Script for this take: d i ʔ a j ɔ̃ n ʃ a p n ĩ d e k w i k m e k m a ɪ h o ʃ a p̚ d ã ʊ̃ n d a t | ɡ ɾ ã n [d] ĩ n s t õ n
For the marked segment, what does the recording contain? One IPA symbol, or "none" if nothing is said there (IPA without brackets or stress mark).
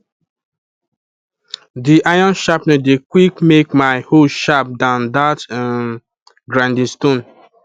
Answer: d